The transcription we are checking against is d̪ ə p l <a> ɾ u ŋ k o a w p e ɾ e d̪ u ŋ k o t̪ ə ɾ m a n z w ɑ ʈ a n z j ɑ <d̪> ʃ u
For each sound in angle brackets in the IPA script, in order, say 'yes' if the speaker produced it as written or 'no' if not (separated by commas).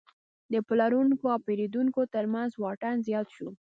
yes, no